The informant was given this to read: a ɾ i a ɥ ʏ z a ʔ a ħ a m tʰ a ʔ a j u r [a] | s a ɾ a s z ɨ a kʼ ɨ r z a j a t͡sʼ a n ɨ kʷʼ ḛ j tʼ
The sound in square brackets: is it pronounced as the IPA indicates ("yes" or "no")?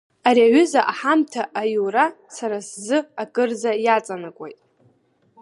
yes